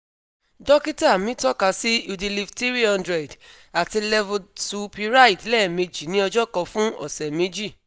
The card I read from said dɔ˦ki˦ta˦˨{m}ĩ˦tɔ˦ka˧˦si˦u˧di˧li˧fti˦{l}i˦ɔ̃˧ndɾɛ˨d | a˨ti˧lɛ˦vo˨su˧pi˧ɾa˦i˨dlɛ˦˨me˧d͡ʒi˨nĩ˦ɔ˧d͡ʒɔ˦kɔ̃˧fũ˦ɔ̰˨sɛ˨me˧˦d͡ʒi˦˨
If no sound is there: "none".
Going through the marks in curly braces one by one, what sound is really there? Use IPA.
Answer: m, ɾ

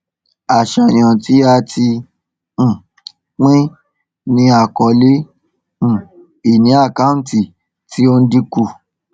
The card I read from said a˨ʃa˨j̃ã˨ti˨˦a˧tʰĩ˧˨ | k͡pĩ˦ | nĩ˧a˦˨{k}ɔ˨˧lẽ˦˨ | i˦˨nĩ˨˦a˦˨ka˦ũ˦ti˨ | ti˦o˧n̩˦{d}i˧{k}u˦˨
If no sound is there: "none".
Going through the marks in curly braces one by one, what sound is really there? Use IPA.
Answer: k, d, k

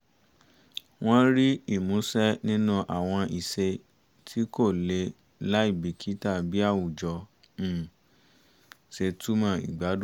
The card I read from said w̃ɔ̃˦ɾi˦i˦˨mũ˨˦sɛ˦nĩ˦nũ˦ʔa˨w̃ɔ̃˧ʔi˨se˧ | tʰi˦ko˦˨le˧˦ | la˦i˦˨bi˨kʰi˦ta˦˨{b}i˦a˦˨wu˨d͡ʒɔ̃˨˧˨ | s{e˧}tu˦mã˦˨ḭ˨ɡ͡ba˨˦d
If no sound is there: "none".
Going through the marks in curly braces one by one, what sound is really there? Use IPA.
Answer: b, e˧

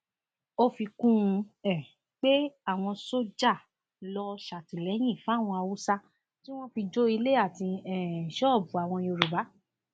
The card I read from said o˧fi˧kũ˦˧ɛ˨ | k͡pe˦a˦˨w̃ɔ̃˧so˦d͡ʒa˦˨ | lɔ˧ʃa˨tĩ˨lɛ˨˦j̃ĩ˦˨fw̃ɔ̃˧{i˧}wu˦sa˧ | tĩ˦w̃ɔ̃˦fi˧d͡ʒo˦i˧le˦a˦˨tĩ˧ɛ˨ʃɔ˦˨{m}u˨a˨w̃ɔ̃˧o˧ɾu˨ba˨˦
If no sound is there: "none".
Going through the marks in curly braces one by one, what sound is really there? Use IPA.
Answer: a˧, b

